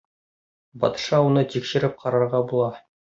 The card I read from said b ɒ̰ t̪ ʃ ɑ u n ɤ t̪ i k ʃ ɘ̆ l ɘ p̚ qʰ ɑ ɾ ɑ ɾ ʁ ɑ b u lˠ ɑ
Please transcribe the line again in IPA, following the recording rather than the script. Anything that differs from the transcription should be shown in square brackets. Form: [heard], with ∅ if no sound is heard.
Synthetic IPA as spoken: b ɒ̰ t̪ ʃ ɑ u n ɤ t̪ i k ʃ ɘ̆ [ɾ] ɘ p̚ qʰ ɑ ɾ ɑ ɾ ʁ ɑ b u lˠ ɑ

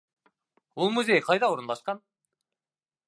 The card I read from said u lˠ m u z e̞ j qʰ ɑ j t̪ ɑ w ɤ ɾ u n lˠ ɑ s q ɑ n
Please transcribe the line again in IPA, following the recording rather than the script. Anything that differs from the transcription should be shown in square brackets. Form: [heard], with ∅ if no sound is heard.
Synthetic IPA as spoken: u lˠ m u z e̞ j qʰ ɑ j [d̪] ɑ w [o] ɾ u n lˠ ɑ [ʃ] q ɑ n

